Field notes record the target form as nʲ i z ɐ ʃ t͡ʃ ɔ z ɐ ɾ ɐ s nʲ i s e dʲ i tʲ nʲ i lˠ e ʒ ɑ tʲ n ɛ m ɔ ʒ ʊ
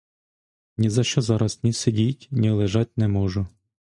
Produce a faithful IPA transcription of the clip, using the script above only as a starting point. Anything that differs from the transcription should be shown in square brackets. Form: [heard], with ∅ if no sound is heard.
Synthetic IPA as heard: nʲ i z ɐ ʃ t͡ʃ ɔ z [ɑ] ɾ ɐ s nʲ i s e dʲ i tʲ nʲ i lˠ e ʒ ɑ tʲ n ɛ m ɔ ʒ ʊ